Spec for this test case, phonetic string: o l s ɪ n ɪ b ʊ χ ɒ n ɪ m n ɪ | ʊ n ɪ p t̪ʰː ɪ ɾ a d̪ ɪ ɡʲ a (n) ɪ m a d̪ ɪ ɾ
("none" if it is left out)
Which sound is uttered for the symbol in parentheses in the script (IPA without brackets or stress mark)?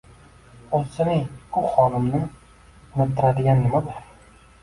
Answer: nː